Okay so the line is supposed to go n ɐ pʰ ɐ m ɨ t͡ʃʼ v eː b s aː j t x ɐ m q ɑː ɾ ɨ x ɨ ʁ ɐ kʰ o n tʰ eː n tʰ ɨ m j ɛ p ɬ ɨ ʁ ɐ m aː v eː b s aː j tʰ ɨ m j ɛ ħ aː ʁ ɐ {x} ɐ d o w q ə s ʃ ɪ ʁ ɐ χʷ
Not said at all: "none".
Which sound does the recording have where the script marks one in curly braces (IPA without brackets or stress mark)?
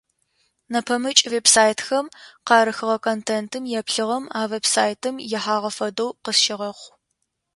f